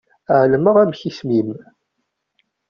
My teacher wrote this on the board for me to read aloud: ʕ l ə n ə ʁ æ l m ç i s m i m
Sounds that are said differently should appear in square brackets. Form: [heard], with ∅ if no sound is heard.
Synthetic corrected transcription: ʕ l ə [m] ə ʁ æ [∅] m ç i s m i m

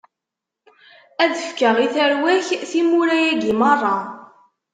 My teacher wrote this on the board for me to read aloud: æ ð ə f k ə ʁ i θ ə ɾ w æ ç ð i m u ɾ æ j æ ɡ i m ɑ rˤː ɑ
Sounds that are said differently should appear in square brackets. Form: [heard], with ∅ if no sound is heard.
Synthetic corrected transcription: æ ð ə f k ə ʁ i θ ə ɾ w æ ç [θ] i m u ɾ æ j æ ɡ i m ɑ rˤː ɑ

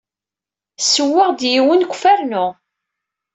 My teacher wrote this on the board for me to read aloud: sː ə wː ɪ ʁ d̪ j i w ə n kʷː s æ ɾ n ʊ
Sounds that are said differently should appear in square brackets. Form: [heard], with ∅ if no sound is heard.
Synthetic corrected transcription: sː ə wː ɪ ʁ d̪ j i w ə n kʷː [f] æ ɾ n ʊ

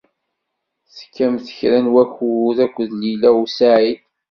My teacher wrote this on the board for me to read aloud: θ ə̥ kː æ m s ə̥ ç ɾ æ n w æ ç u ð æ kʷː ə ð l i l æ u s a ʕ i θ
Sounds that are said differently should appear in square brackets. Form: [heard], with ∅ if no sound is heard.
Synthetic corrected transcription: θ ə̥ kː æ m [θ] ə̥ ç ɾ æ n w æ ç u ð æ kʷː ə ð l i l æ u s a ʕ i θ

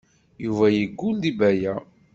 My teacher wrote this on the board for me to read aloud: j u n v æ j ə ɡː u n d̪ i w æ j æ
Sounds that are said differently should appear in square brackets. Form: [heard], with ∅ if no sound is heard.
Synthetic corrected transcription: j u [∅] v æ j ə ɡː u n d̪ i [b] æ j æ

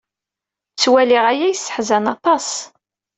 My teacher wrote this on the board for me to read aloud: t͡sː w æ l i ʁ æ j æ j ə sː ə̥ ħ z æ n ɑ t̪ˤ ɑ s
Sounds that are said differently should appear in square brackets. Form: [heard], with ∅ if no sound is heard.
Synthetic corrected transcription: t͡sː w æ l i ʁ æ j æ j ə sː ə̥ ħ z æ n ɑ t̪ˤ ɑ s

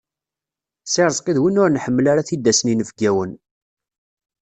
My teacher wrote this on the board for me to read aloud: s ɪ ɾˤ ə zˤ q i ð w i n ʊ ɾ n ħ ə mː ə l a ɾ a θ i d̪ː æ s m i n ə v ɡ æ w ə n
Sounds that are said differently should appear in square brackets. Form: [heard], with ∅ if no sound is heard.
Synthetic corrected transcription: s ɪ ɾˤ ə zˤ q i ð w i n ʊ ɾ n ħ ə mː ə l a ɾ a θ i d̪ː æ s [n] i n ə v ɡ æ w ə n

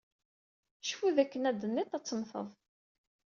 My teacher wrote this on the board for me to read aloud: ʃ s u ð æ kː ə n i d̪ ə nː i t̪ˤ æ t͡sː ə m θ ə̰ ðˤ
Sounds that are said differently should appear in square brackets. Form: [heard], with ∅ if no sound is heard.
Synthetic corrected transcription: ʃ [f] u ð æ kː ə n [æ] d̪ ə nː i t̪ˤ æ t͡sː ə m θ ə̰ ðˤ

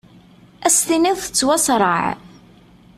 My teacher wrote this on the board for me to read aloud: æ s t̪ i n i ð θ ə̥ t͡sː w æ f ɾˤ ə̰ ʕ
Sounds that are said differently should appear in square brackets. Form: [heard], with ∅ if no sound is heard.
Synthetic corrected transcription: æ s t̪ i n i ð θ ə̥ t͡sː w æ [s] ɾˤ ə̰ ʕ

